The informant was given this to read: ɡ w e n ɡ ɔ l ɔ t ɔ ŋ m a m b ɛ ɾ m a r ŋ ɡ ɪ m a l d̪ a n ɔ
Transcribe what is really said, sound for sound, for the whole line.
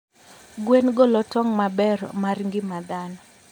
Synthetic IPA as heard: ɡ w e n ɡ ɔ l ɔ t ɔ ŋ m a b ɛ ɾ m a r ŋ ɡ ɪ m a d̪ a n ɔ